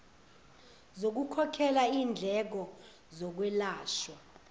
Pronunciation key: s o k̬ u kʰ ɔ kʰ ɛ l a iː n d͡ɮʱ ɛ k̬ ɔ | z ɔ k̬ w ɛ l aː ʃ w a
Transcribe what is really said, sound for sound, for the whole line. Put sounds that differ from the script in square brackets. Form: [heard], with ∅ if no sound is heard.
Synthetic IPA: [z] o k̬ u kʰ ɔ kʰ ɛ l a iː n d͡ɮʱ ɛ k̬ ɔ | z ɔ k̬ w ɛ l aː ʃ w a